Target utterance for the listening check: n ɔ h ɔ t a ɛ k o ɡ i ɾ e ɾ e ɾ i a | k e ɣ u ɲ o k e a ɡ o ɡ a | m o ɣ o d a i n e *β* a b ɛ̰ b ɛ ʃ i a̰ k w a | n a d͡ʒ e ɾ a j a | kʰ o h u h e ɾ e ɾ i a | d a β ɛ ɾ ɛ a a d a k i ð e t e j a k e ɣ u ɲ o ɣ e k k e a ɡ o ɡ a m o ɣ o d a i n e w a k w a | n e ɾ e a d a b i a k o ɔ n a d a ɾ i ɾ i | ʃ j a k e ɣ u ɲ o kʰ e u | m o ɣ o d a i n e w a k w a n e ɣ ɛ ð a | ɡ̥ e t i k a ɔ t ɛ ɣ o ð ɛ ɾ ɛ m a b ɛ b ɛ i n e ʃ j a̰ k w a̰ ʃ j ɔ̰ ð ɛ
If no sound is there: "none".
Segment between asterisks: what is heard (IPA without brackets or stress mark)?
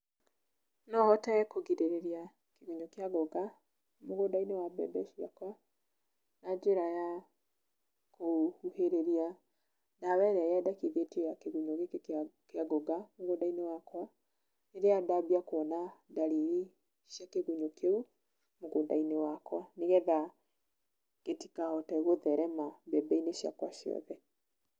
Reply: w